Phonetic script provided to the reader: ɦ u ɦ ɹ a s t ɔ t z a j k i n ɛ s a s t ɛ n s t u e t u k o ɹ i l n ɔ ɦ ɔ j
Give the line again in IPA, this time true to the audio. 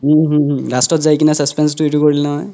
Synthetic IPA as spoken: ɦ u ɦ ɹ a s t ɔ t z a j k i n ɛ s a s p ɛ n s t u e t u k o ɹ i l n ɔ ɦ ɔ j